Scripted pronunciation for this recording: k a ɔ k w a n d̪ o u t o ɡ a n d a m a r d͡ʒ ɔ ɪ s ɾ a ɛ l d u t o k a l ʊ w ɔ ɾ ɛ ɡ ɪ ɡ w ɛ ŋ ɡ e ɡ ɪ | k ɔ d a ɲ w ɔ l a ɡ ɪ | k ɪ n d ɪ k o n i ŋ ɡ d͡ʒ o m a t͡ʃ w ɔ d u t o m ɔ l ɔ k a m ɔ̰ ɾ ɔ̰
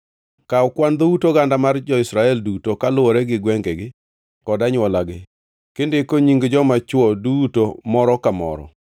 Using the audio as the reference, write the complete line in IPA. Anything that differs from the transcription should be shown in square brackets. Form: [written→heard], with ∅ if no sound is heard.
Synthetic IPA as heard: k a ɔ k w a n d̪ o u t o ɡ a n d a m a r d͡ʒ ɔ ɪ s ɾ a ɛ l d u t o k a l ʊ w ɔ ɾ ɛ ɡ ɪ ɡ w ɛ ŋ ɡ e ɡ ɪ | k ɔ d a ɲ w ɔ l a ɡ ɪ | k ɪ n d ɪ k o [n→ɲ] i ŋ ɡ d͡ʒ [o→ɔ] m a t͡ʃ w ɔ d u t o m ɔ [l→ɾ] ɔ k a m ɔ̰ ɾ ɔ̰